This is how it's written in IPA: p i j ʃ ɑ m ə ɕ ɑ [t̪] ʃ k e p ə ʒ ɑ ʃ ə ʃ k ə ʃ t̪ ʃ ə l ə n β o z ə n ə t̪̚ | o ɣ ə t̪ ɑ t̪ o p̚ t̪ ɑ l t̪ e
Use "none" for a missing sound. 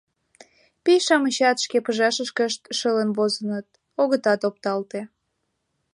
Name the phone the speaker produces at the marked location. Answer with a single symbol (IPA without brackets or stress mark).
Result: t̪